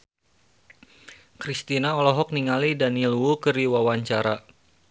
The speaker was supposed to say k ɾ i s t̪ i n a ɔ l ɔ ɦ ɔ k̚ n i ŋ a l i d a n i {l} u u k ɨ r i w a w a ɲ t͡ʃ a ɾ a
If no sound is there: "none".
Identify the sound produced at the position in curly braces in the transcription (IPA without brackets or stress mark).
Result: l